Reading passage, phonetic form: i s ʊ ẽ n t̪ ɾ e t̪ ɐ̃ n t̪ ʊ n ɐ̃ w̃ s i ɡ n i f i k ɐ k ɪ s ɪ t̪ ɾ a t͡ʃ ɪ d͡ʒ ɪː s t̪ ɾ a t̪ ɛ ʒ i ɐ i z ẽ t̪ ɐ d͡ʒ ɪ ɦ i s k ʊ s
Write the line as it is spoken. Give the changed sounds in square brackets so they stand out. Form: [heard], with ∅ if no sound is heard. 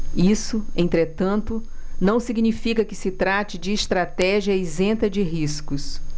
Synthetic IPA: i s ʊ ẽ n t̪ ɾ e t̪ ɐ̃ n t̪ ʊ n ɐ̃ w̃ s i ɡ n i f i k ɐ k ɪ s ɪ t̪ ɾ a t͡ʃ ɪ d͡ʒ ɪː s t̪ ɾ a t̪ ɛ ʒ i ɐ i z ẽ t̪ ɐ d͡ʒ ɪ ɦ i s k ʊ s